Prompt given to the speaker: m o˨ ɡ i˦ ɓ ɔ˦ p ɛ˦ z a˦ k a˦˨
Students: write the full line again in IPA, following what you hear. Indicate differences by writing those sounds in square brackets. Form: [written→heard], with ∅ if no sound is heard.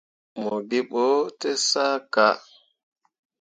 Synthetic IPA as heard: m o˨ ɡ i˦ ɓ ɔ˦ [p→t] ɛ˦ [z→s] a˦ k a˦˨

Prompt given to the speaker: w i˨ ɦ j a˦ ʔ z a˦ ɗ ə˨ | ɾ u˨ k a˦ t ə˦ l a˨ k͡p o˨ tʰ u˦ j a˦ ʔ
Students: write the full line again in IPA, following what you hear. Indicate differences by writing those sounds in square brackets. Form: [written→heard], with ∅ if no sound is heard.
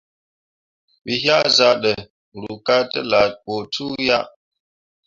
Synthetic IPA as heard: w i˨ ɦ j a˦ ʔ z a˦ ɗ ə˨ | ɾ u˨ k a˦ t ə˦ l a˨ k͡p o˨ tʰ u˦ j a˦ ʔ

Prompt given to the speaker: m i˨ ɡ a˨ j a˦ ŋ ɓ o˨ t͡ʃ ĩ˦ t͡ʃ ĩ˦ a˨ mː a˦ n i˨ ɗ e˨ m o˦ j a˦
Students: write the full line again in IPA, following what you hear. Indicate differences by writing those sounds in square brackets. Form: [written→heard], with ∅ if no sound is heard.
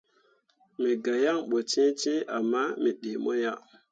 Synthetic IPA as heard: m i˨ ɡ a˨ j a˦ ŋ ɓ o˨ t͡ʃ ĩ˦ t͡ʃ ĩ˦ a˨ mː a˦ [n→m] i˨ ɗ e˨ m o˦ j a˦

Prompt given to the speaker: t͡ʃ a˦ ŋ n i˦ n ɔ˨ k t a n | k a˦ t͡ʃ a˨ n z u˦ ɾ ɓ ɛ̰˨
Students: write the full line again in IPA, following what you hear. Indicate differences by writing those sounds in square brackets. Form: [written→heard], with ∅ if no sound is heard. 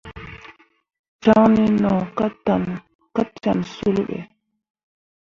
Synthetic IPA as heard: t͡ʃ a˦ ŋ n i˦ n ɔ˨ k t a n | k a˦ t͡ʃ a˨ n [z→s] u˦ [ɾ→l] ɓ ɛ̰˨

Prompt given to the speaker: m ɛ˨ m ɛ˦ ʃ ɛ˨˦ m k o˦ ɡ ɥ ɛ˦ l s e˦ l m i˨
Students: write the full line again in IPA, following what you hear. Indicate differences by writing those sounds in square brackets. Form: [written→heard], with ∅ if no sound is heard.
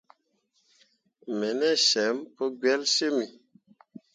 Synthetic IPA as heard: m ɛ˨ [m→n] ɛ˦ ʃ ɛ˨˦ m [k→p] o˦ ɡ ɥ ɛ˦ l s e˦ [l→∅] m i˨

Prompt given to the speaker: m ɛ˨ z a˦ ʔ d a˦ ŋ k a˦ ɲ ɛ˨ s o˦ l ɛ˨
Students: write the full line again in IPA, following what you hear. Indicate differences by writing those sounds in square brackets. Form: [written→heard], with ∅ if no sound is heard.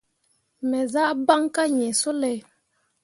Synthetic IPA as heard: m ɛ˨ z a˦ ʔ [d→b] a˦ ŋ k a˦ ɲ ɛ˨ s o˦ l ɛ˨

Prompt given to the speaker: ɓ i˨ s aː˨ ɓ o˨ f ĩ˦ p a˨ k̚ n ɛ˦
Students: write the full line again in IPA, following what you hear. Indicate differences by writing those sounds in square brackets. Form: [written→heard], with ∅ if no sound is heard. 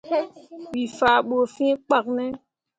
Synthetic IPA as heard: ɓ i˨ [s→f] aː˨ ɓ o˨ f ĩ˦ [p→k͡p] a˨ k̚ n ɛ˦

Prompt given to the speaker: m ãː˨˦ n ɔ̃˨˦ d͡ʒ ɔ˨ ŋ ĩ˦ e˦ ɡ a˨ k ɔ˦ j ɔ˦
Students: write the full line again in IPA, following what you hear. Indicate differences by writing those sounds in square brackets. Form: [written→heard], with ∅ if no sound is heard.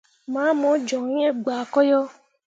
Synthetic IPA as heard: m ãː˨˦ [n→m] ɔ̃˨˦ d͡ʒ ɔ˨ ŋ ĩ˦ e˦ [ɡ→ɡ͡b] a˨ k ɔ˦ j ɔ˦

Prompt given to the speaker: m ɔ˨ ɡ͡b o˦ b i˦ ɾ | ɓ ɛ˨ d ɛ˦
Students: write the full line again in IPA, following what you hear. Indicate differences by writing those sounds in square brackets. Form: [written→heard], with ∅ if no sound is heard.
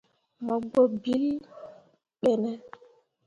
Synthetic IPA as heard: m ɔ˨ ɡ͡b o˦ b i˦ [ɾ→l] | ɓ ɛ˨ [d→n] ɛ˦

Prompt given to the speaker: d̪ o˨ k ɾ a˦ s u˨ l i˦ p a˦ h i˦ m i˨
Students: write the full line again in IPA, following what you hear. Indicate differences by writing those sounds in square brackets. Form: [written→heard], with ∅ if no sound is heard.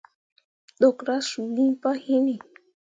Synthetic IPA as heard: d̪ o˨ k ɾ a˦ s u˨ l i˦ p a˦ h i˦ [m→n] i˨

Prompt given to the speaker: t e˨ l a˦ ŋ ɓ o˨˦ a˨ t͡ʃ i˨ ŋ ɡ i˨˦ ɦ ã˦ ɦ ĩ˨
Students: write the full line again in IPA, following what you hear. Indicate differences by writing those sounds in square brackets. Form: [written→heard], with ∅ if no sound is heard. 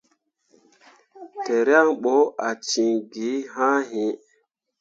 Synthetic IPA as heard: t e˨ [l→ɾ] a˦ ŋ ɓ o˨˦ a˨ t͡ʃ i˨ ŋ ɡ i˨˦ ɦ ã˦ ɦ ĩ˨

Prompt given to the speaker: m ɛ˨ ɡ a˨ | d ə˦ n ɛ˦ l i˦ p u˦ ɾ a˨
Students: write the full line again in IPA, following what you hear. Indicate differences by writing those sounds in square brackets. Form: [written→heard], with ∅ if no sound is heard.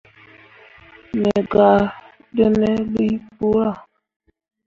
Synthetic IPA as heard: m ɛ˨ ɡ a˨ | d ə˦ n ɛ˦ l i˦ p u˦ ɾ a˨

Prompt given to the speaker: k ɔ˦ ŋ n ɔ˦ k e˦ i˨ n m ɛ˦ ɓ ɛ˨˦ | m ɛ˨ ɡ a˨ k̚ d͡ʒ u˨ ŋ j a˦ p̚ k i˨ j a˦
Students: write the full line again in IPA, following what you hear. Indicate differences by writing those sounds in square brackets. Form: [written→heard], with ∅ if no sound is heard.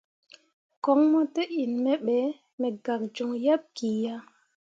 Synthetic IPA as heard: k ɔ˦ ŋ [n→m] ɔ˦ [k→t] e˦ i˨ n m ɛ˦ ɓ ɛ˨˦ | m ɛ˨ ɡ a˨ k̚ d͡ʒ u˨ ŋ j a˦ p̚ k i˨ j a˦

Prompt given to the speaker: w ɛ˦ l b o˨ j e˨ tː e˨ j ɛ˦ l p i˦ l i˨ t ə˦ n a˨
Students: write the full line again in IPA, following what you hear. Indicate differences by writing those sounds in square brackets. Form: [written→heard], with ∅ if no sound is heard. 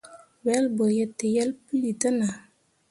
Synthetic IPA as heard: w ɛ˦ l b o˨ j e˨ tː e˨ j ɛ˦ l p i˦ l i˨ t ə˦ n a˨

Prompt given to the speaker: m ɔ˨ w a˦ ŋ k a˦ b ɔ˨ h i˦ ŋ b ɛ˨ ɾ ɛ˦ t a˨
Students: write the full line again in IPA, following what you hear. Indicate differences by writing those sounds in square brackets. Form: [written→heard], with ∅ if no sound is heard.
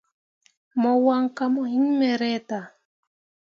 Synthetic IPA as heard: m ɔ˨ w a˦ ŋ k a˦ [b→m] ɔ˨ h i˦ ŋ [b→m] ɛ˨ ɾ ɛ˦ t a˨

